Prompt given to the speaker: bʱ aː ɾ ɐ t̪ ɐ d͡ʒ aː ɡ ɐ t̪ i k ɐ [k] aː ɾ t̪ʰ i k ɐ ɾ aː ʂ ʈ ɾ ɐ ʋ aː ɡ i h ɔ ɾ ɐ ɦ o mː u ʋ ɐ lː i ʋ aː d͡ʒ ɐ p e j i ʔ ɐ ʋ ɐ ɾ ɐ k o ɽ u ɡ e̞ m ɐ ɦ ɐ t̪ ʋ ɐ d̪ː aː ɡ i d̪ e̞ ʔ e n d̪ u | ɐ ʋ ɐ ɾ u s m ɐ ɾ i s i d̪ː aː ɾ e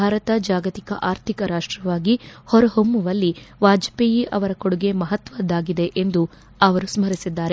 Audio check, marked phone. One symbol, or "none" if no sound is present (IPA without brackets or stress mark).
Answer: ʔ